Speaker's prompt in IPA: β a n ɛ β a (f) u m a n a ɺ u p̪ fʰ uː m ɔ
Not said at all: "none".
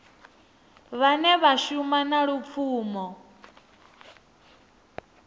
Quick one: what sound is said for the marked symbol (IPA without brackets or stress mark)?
ʃ